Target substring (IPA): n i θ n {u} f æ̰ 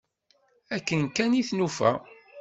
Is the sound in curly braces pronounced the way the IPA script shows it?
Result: yes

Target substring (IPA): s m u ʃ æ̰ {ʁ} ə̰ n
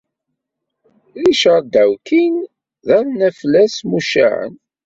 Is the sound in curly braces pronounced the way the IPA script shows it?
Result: no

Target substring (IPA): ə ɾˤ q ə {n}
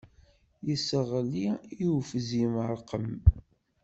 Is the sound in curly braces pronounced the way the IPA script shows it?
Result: no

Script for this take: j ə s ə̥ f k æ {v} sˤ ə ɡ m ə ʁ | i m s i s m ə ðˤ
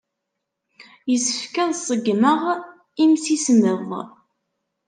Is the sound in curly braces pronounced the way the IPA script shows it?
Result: no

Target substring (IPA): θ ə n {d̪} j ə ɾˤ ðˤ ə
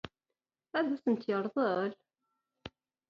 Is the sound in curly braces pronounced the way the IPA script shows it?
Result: no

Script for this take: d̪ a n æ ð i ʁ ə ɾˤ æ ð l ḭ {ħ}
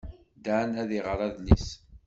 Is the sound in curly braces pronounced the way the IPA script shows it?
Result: no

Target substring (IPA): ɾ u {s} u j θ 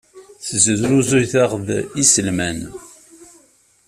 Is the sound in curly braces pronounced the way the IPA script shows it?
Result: no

